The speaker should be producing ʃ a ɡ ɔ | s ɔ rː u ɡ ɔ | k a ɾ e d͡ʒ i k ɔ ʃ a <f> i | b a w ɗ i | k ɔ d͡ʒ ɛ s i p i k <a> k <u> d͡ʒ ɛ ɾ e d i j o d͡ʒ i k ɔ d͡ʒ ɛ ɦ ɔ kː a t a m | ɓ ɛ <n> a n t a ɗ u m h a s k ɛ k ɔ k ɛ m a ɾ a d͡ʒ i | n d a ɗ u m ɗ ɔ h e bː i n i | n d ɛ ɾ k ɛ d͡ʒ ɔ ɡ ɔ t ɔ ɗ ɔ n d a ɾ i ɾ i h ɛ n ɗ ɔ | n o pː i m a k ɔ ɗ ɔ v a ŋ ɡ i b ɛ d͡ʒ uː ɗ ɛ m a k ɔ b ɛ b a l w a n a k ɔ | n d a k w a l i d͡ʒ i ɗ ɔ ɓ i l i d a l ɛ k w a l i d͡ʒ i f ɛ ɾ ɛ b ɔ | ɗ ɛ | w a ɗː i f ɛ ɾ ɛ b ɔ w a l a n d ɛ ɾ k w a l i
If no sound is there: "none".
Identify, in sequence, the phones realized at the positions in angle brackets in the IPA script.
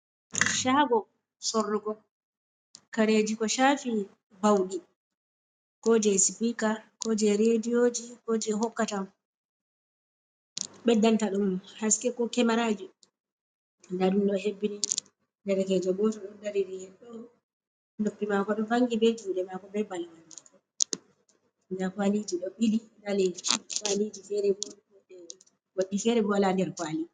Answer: f, a, ɔ, d

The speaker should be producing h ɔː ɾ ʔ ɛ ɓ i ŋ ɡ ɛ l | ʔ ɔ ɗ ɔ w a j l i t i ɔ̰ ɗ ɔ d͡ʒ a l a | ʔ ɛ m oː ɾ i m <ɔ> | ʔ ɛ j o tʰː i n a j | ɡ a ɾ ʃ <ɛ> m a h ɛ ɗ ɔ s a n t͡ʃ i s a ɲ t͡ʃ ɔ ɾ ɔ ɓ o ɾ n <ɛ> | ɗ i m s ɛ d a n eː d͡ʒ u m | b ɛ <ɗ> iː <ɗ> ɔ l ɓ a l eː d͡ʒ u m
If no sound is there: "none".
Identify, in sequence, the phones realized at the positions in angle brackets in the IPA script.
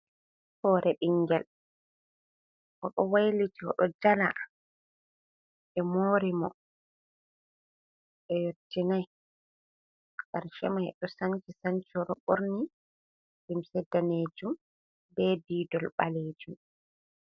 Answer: ɔ, ɛ, i, d, d

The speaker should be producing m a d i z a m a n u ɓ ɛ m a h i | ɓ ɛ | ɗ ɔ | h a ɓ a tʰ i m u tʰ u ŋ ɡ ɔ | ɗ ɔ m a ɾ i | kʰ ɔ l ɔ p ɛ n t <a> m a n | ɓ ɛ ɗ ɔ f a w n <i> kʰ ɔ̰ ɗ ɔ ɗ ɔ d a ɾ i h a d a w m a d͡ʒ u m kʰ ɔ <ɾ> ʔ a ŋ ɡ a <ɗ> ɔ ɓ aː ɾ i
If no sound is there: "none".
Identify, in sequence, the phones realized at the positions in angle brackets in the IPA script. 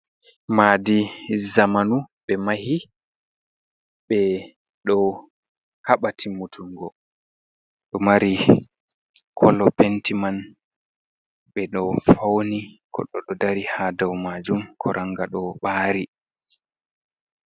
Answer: i, i, ɾ, ɗ

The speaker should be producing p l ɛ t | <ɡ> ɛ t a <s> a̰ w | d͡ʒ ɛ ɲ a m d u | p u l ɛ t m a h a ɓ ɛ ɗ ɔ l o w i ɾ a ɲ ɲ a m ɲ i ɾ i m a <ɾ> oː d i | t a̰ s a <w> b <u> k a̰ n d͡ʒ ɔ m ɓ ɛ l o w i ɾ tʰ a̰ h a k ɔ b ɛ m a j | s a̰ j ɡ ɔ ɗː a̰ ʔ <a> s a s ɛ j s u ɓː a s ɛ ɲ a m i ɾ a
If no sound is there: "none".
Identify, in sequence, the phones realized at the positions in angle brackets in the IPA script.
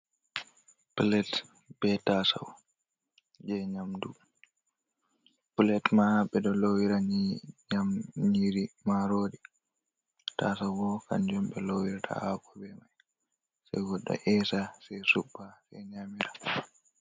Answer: b, s, ɾ, w, ɔ, ɛ

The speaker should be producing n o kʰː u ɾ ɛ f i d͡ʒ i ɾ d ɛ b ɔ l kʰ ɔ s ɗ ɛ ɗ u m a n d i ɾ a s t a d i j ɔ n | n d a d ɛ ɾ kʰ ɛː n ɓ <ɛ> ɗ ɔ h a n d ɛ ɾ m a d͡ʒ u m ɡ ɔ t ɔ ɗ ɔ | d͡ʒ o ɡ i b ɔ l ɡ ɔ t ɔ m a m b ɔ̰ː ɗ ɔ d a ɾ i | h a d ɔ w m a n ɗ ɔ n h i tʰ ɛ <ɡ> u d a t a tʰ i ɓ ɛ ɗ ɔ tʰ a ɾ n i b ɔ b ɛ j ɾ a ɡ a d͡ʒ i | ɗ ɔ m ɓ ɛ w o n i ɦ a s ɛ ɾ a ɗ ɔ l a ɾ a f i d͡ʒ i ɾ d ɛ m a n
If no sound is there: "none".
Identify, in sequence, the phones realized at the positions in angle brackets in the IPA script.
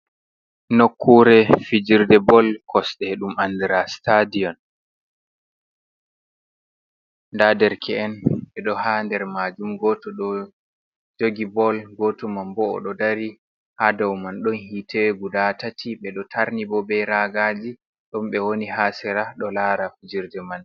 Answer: ɛ, ɡ

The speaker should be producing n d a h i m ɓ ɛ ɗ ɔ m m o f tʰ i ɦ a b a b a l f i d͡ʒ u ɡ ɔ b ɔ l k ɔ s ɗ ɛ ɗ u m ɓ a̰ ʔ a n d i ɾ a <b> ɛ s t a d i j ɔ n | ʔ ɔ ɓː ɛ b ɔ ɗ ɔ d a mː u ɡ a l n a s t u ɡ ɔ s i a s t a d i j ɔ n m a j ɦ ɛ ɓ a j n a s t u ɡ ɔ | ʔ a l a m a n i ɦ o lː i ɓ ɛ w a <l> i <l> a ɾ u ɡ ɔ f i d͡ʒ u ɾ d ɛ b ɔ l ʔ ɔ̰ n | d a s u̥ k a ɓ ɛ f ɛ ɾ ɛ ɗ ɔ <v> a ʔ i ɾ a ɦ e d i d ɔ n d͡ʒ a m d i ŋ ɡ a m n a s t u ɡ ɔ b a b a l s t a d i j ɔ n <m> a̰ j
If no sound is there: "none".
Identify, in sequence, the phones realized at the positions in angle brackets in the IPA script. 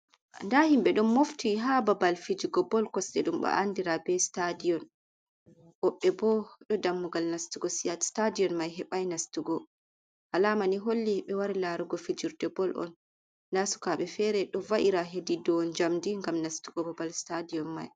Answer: b, ɾ, l, v, m

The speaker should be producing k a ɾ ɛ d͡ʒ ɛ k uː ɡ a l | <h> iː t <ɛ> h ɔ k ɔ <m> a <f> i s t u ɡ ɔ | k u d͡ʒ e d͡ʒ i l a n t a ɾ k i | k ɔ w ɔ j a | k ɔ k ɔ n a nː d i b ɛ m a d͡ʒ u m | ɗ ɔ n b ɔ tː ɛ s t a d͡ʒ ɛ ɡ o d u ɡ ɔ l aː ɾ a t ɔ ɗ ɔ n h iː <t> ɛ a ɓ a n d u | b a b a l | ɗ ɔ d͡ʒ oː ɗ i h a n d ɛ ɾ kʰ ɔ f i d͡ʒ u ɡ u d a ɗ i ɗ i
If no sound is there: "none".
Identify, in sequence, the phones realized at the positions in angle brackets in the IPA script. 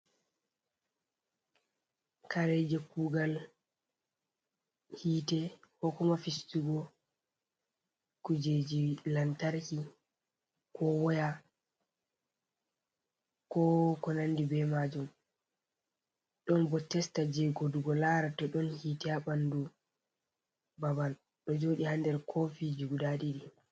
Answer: h, ɛ, m, f, t

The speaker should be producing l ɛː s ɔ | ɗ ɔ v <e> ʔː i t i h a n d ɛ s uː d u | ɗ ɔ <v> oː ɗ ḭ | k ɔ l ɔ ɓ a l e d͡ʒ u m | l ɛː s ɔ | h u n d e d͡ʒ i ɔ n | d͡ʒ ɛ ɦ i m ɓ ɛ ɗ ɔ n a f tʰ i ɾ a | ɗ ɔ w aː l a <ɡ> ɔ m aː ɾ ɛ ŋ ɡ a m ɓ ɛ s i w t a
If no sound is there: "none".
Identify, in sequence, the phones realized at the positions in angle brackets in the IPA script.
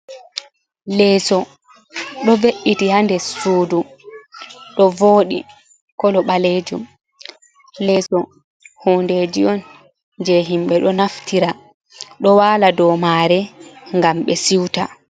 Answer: e, v, d

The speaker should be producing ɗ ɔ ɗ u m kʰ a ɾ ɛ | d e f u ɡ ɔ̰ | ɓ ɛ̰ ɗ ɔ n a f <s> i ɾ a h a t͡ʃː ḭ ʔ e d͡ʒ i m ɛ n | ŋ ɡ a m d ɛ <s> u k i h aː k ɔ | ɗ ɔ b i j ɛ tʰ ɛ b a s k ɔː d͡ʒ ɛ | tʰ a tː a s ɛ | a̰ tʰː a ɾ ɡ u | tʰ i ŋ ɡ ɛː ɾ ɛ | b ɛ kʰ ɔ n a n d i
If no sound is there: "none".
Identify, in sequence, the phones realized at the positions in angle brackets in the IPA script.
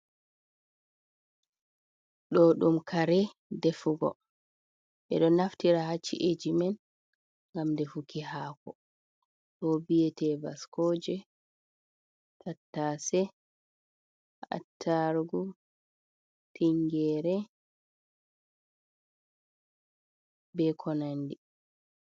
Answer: t, f

